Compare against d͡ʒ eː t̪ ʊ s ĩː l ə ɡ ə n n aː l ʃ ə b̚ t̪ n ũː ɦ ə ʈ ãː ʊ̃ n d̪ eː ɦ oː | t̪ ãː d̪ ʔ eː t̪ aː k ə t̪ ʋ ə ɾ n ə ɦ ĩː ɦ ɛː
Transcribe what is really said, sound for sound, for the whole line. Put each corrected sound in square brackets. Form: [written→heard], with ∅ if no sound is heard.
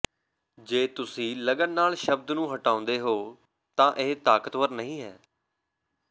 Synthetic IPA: d͡ʒ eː t̪ ʊ s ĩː l ə ɡ ə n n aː l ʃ ə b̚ [t̪→d̪] n ũː ɦ ə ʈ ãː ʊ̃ n d̪ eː ɦ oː | t̪ ãː [d̪→∅] ʔ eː t̪ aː k ə t̪ ʋ ə ɾ n ə ɦ ĩː ɦ ɛː